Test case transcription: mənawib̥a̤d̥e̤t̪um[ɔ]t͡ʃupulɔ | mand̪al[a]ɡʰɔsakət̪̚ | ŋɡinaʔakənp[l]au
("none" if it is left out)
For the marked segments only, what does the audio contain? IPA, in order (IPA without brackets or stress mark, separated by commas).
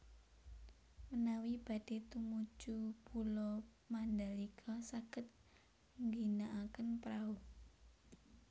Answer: u, i, ɾ